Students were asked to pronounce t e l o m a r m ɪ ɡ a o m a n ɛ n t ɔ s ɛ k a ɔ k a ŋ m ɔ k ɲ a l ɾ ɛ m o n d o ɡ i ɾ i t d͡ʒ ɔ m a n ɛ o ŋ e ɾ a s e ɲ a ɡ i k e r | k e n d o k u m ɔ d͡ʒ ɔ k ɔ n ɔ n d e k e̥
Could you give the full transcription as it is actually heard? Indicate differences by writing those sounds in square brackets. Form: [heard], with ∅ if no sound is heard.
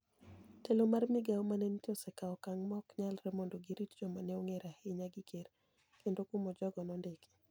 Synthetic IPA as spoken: t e l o m a r m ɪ ɡ a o m a n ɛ n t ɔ s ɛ k a ɔ k a ŋ m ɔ k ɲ a l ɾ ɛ m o n d o ɡ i ɾ i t d͡ʒ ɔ m a n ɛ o ŋ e ɾ a [h] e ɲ a ɡ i k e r | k e n d o k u m ɔ d͡ʒ ɔ [ɡ] ɔ n ɔ n d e k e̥